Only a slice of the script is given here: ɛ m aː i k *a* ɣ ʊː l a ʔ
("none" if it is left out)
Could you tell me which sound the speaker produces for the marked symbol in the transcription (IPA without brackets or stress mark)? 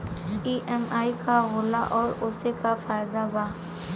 a